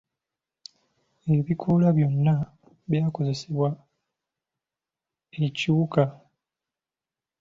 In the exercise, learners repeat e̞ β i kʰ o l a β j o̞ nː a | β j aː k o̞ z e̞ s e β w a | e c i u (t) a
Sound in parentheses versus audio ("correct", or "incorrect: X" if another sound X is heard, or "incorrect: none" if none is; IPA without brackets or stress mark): incorrect: k